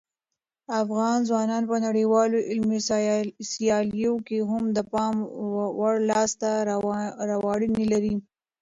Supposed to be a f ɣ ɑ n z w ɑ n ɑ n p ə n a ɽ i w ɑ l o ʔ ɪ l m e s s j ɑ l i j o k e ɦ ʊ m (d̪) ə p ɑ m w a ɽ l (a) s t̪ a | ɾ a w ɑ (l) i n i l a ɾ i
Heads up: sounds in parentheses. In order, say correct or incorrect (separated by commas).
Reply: correct, incorrect, incorrect